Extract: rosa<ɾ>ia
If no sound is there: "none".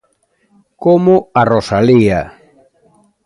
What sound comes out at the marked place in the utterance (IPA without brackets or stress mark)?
l